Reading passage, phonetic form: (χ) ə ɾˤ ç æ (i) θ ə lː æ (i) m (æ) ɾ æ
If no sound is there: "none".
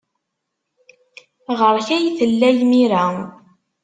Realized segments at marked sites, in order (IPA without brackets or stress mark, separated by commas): ʁ, j, j, i